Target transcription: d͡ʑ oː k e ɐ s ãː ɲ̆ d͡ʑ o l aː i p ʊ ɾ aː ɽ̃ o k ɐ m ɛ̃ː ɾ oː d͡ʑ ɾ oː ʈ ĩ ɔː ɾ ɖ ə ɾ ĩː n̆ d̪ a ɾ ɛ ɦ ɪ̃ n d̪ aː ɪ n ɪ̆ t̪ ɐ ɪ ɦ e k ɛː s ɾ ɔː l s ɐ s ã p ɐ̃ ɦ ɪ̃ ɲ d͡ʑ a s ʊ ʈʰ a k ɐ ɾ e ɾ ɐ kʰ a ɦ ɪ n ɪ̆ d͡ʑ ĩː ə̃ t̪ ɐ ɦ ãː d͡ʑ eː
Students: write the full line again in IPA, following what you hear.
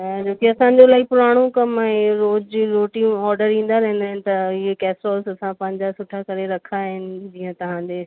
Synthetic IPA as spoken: d͡ʑ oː k e ɐ s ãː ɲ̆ d͡ʑ o l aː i p ʊ ɾ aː ɽ̃ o k ɐ m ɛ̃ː ɾ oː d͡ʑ ɾ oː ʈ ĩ ɔː ɾ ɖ ə ɾ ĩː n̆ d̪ a ɾ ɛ ɦ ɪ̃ n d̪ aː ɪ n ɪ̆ t̪ ɐ ɪ ɦ e k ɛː s ɾ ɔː l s ɐ s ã p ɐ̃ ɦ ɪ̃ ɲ d͡ʑ a s ʊ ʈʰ a k ɐ ɾ e ɾ ɐ kʰ a ɦ ɪ n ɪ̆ d͡ʑ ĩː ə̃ t̪ ɐ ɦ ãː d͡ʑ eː